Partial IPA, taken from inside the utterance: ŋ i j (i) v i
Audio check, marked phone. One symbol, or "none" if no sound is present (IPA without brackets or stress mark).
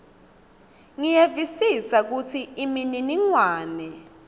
e